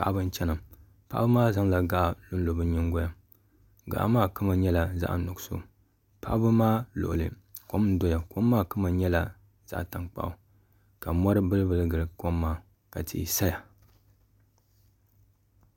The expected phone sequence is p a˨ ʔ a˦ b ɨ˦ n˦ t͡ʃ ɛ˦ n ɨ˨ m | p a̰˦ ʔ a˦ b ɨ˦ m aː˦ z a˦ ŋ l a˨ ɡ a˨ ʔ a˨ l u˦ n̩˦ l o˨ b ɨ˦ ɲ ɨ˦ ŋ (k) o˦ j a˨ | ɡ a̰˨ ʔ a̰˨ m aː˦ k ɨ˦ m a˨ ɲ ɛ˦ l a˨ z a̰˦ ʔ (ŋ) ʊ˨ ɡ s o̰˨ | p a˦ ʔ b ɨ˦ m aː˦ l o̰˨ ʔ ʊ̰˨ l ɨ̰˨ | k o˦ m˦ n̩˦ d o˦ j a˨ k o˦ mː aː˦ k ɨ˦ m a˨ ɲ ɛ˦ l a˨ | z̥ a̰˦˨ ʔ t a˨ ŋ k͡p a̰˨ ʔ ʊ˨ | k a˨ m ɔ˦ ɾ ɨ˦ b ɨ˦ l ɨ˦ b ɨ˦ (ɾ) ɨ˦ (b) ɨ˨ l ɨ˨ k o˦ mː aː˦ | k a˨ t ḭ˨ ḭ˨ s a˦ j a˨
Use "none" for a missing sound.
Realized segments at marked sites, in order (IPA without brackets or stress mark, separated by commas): ɡ, n, l, ɡ